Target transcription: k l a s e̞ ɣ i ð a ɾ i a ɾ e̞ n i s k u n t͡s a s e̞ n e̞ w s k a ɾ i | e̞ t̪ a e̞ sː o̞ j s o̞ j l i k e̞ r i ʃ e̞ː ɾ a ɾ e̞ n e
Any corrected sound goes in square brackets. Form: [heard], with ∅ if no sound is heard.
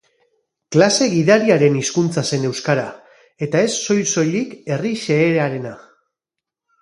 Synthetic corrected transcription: k l a s e̞ ɣ i ð a ɾ i a ɾ e̞ n i s k u n t͡s a s e̞ n e̞ w s k a ɾ [a] | e̞ t̪ a e̞ sː o̞ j s o̞ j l i k e̞ r i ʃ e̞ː ɾ a ɾ e̞ n [a]